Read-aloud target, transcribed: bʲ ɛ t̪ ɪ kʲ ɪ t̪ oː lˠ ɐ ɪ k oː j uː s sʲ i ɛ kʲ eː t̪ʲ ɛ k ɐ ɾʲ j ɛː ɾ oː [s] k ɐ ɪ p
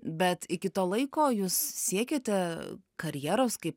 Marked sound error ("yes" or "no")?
no